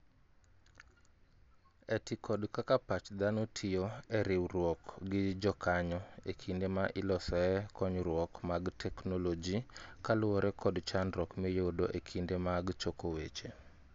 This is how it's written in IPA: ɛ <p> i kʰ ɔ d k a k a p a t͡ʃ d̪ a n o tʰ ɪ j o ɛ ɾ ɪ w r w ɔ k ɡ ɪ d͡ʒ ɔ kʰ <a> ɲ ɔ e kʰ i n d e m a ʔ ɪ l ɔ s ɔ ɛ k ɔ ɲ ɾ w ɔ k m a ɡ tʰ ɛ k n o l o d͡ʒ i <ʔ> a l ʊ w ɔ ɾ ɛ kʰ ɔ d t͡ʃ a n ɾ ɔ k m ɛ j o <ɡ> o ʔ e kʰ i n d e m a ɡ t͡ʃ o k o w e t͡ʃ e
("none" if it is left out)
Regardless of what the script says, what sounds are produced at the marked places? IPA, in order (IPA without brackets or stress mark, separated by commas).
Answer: t, a, k, d